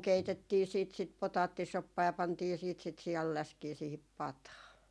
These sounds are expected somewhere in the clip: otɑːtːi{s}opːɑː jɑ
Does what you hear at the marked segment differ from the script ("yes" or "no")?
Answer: no